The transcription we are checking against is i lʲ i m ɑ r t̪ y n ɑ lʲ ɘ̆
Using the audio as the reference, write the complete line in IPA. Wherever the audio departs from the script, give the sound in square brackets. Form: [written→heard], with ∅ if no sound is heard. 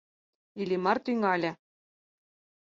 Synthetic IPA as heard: i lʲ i m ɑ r t̪ y [n→ŋ] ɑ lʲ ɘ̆

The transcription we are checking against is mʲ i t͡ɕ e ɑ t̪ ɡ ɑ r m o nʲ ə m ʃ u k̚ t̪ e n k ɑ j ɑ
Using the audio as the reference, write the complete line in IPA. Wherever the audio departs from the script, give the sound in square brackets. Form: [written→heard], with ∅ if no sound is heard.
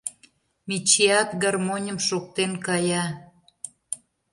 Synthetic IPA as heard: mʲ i t͡ɕ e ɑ t̪ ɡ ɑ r m o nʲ ə m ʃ [u→o] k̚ t̪ e n k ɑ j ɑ

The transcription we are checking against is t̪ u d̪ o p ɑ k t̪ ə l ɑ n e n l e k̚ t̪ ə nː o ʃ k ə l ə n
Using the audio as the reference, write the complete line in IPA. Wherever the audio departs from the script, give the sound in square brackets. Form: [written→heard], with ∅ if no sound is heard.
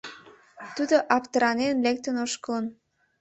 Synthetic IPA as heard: t̪ u d̪ o [p→ʔ] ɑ [k→p] t̪ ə [l→ɾ] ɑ n e n l e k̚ t̪ ə [nː→n] o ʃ k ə l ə n

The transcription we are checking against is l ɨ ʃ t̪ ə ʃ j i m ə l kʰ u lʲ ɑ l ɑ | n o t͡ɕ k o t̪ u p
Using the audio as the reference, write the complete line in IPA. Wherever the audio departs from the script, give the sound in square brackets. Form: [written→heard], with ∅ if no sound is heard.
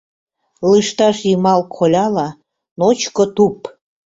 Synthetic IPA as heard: l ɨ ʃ t̪ [ə→ɑ] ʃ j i m [ə→ɑ] l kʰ [u→o] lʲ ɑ l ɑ | n o t͡ɕ k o t̪ u p

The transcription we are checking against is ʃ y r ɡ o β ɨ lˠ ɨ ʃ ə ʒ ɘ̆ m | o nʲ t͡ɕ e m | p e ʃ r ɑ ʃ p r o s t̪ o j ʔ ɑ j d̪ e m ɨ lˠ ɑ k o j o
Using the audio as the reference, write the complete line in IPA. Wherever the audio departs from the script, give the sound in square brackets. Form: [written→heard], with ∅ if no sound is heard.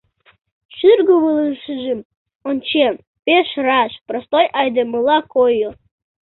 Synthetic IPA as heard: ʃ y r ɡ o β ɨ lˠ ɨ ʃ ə ʒ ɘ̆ m | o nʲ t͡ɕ e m | p e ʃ r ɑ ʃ p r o s t̪ o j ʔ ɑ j d̪ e m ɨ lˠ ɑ k o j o

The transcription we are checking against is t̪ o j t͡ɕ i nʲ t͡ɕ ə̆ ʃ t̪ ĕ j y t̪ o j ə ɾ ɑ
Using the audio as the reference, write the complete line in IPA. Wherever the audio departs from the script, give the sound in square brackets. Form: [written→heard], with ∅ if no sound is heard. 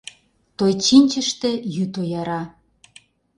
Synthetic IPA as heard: t̪ o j t͡ɕ i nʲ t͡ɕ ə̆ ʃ t̪ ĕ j y t̪ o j [ə→ɑ] ɾ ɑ

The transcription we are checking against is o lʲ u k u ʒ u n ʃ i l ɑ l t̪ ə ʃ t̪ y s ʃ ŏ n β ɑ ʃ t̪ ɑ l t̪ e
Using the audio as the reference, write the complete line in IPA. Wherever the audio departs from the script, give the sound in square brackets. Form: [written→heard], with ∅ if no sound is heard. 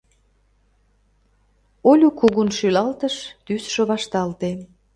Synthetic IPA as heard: o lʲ u k u [ʒ→ɣ] u n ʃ [i→y] l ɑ l t̪ ə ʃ t̪ y s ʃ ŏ [n→∅] β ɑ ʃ t̪ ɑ l t̪ e

